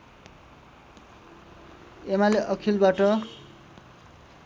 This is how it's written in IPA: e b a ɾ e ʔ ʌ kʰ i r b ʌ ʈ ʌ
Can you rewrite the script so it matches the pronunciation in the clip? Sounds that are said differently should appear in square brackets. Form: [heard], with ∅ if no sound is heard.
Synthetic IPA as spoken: e [m] a [l] e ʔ ʌ kʰ i [l] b [a] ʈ ʌ